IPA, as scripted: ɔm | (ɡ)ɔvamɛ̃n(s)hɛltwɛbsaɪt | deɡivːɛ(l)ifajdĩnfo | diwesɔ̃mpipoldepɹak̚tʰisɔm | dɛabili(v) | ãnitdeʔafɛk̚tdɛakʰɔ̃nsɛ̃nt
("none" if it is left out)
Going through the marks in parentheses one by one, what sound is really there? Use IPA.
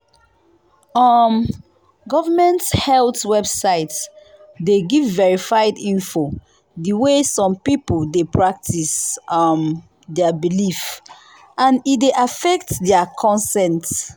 ɡ, t, ɹ, f

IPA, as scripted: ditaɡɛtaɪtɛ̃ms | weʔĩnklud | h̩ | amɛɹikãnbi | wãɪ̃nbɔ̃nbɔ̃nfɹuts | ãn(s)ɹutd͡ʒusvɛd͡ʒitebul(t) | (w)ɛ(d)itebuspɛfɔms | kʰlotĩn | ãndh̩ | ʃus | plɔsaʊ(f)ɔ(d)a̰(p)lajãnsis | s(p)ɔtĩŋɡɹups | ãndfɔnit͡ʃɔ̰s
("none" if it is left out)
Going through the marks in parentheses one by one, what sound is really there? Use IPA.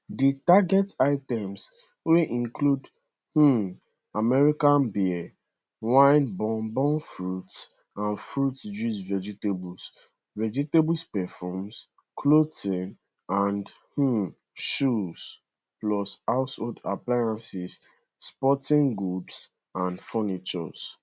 f, s, v, d͡ʒ, s, d, p, p

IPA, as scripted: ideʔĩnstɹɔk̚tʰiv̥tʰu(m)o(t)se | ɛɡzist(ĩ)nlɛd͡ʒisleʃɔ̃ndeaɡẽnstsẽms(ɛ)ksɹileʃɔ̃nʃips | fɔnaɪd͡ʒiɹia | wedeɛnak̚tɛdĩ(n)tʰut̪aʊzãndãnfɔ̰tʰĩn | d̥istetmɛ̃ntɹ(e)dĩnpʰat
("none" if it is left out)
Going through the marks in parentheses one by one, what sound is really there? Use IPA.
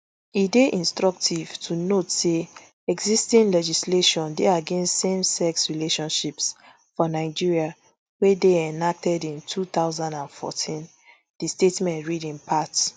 n, t, ĩ, ɛ, n, i

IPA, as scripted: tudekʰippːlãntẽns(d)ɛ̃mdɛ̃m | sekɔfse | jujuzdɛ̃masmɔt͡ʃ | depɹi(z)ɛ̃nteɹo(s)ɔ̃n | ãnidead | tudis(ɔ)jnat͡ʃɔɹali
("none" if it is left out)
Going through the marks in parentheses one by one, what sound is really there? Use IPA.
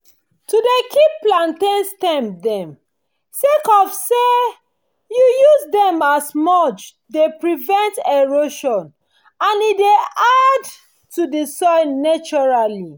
t, v, ʃ, ɔ

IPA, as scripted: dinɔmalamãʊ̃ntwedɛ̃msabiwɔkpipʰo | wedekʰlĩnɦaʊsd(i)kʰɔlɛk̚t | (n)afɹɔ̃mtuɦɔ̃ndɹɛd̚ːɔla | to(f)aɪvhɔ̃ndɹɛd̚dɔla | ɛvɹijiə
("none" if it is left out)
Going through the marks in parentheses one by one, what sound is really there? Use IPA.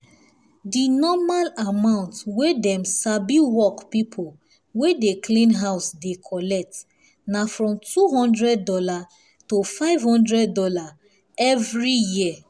e, n, f

